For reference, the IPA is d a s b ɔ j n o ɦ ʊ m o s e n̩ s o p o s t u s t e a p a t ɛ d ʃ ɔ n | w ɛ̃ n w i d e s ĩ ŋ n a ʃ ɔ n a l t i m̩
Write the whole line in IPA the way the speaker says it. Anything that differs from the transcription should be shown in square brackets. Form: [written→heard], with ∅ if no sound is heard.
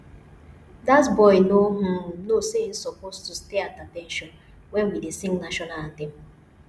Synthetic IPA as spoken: d a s b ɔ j n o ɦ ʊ [m→n] o s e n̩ s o p o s t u s t e a [p→t] a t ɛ [d→n] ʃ ɔ n | w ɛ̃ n w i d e s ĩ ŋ n a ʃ ɔ n a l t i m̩